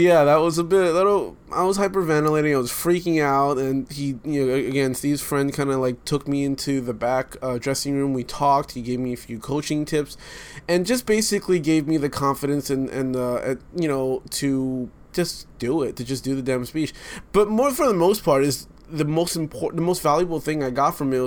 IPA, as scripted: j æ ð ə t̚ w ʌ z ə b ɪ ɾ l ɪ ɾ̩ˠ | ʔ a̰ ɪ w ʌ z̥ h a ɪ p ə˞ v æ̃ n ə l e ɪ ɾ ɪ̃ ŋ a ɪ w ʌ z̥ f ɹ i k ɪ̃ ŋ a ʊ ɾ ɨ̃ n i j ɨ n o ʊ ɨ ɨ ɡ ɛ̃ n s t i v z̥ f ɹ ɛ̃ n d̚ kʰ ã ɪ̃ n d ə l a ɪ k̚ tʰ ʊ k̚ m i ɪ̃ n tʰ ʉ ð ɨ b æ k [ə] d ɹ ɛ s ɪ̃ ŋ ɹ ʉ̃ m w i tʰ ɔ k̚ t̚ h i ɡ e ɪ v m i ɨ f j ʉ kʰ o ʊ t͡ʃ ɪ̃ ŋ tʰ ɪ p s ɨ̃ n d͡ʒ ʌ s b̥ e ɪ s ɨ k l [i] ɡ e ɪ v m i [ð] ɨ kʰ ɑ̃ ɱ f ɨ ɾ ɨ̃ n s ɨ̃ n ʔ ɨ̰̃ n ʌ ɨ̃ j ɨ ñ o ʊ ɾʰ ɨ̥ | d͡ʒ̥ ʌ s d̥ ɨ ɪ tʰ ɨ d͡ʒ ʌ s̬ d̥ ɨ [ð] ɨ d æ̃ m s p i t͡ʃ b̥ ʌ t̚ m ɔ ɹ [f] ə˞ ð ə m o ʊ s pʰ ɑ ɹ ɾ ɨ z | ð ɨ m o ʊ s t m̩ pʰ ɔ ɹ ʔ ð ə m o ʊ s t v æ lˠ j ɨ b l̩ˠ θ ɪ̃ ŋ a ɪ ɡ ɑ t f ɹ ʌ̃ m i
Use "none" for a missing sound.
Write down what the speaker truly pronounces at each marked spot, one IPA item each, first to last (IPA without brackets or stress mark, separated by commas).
ʌ, i, ð, ð, f